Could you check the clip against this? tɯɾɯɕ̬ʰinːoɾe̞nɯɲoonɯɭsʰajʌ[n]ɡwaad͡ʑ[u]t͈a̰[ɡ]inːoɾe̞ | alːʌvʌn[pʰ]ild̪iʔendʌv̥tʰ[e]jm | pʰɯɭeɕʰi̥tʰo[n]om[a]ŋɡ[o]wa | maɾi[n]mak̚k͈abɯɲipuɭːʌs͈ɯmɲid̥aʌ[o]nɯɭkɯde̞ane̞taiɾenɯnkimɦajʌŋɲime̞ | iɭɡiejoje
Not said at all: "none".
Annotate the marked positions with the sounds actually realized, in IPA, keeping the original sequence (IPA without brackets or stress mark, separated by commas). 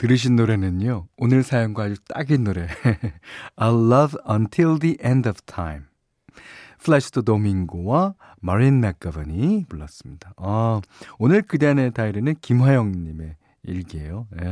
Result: ŋ, u, ɡ, tʰ, a, d, i, o, n, o